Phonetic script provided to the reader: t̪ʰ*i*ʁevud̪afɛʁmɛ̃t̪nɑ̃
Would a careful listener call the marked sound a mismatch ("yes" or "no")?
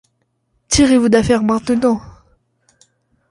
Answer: no